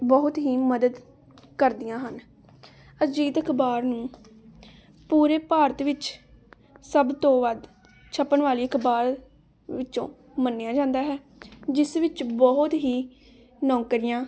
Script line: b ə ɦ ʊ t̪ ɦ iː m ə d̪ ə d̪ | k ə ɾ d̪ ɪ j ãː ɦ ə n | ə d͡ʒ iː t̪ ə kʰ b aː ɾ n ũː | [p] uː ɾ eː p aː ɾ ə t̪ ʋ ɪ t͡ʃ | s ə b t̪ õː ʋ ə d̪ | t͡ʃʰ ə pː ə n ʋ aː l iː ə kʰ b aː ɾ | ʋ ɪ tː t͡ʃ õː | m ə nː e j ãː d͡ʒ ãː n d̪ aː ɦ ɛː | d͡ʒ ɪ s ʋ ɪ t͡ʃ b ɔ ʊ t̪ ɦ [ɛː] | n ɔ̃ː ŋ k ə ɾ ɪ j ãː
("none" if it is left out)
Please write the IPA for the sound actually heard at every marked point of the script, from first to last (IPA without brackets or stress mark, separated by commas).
p, iː